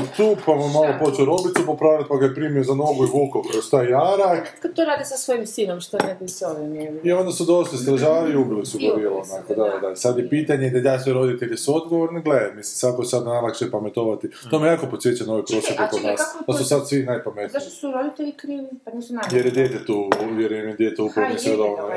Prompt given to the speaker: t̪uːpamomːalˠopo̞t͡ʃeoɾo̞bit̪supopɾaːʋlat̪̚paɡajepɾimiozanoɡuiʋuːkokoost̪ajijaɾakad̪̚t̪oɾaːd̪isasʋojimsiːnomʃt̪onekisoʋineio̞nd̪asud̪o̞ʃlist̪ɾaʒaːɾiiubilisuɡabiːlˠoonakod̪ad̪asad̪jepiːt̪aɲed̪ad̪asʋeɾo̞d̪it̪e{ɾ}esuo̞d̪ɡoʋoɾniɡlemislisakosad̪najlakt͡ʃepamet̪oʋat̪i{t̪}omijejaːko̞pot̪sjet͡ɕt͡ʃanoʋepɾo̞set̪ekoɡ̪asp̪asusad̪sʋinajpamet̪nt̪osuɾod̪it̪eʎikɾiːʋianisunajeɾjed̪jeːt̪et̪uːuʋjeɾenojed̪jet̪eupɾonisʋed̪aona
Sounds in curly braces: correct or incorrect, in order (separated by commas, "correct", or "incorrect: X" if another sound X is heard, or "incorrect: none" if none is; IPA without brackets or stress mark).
incorrect: ʎ, correct